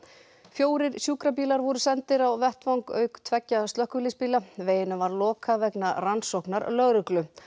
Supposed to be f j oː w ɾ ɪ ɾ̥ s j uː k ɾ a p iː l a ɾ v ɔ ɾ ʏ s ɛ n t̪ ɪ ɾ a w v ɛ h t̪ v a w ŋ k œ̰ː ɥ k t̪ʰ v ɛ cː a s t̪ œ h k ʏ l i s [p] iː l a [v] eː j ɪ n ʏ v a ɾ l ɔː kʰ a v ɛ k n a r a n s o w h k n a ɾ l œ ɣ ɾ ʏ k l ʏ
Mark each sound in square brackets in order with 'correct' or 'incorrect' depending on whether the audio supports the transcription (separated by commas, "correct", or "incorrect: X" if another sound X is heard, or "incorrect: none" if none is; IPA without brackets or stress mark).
correct, correct